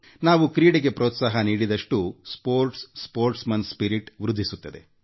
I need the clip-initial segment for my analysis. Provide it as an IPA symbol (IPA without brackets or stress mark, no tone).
n